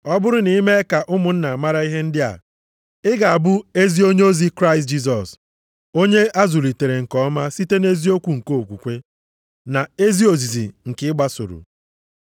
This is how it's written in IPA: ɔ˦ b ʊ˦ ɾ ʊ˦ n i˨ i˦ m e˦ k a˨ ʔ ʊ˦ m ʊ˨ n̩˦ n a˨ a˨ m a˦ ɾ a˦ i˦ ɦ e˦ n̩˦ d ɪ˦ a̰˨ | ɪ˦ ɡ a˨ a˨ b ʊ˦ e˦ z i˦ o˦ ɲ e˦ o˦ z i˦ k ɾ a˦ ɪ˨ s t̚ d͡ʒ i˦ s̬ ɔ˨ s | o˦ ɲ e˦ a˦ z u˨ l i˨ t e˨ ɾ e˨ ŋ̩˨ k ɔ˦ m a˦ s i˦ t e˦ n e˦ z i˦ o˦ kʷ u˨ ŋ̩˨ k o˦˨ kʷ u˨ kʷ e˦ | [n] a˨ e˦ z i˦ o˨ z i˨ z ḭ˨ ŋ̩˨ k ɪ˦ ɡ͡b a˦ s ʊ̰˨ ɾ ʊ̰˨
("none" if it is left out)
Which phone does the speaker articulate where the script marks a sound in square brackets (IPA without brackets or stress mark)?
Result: n